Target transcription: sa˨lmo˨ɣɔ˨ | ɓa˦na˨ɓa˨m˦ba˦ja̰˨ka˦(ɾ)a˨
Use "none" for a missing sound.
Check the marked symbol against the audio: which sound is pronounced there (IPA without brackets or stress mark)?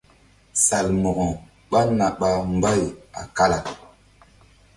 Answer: l